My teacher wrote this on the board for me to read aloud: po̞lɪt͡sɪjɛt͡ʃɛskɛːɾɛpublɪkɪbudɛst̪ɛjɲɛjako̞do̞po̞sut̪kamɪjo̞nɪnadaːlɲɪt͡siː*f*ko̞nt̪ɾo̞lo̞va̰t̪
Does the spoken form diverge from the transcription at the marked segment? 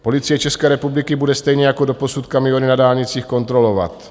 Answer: yes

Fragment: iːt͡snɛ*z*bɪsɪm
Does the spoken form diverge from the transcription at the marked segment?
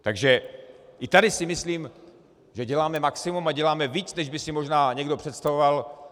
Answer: yes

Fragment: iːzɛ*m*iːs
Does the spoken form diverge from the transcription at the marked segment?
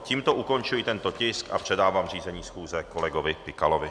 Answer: yes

